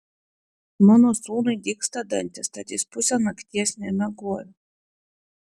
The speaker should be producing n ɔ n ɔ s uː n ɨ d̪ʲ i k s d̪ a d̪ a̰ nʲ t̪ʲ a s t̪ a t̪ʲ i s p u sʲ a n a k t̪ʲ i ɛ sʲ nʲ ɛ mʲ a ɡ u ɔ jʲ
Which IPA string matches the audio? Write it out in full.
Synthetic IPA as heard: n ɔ n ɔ s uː n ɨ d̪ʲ i k s t̪ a d̪ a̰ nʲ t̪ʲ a s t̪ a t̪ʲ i s p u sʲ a n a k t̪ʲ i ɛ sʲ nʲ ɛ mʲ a ɡ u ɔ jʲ